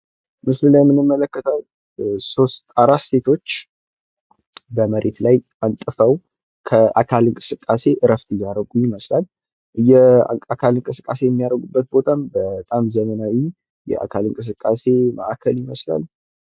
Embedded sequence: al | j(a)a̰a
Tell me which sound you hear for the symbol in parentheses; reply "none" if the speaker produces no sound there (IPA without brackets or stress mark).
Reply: ɛ